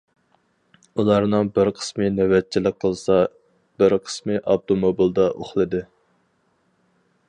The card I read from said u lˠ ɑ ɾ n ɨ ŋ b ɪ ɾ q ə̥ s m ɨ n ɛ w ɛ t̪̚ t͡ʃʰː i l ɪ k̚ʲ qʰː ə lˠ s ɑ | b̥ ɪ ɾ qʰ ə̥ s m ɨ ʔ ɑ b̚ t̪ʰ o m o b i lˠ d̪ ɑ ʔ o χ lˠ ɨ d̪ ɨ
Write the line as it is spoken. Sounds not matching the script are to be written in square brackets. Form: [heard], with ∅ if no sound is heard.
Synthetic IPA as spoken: u lˠ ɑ ɾ n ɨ ŋ b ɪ ɾ [qʰ] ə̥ s m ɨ n ɛ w ɛ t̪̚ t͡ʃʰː i l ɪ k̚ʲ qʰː ə lˠ s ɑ | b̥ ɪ ɾ qʰ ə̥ s m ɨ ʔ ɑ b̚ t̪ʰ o m o b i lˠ d̪ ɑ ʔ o χ lˠ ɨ d̪ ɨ